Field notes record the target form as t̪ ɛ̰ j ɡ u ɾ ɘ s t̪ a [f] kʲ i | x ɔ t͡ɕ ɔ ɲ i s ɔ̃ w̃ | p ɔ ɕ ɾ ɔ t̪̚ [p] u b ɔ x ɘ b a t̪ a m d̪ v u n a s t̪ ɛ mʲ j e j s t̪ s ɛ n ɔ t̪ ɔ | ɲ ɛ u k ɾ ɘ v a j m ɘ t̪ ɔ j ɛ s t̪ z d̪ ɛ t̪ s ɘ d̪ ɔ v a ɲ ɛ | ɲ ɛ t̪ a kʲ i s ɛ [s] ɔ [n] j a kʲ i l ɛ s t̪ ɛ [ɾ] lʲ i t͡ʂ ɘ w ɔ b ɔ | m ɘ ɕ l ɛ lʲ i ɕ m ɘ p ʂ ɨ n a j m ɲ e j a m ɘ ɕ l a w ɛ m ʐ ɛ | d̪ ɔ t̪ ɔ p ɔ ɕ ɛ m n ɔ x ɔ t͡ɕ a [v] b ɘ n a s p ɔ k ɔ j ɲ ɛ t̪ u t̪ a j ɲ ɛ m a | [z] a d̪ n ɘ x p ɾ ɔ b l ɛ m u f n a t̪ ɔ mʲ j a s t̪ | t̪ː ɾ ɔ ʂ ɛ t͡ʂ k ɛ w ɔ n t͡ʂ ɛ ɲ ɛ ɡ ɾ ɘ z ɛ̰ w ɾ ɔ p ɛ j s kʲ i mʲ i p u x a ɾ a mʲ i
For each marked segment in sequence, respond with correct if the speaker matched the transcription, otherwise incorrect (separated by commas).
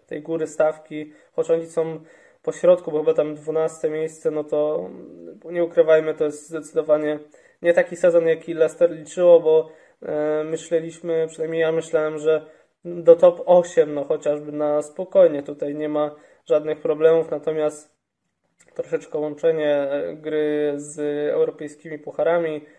correct, incorrect, incorrect, correct, correct, incorrect, incorrect